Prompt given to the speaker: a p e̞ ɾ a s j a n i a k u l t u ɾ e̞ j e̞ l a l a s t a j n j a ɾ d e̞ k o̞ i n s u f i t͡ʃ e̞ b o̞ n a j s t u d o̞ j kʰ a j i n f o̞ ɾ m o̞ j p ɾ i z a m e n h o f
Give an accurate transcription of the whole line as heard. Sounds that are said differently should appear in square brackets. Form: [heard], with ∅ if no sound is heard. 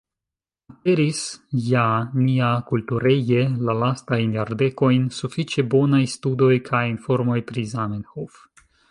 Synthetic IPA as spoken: a p e̞ ɾ [i] s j a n i a k u l t u ɾ e̞ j e̞ l a l a s t a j n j a ɾ d e̞ k o̞ [j] n s u f i t͡ʃ e̞ b o̞ n a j s t u d o̞ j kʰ a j i n f o̞ ɾ m o̞ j p ɾ i z a m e n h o f